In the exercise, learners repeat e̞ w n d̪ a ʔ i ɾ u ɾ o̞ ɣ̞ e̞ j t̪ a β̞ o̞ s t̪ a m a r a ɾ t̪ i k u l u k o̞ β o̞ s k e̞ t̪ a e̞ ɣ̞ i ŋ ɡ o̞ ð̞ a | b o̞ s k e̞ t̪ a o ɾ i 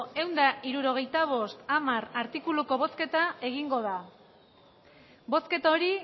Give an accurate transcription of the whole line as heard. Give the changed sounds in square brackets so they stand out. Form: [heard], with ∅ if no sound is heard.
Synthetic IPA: e̞ w n d̪ a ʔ i ɾ u ɾ o̞ ɣ̞ e̞ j t̪ a β̞ o̞ s t̪ a m a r a ɾ t̪ i k u l u k o̞ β o̞ s k e̞ t̪ a e̞ ɣ̞ i ŋ ɡ o̞ ð̞ a | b o̞ s k e̞ t̪ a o ɾ i